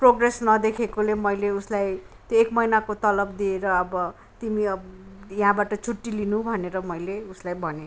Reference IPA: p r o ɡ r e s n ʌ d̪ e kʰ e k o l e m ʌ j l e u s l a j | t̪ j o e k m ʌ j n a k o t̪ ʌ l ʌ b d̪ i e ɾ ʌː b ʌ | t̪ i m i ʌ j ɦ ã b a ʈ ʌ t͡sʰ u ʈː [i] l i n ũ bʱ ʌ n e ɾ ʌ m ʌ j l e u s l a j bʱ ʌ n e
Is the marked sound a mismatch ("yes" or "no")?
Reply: no